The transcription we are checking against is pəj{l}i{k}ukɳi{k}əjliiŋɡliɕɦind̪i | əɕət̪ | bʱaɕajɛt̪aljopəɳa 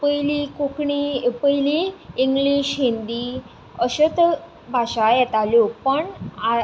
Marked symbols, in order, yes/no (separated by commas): yes, yes, no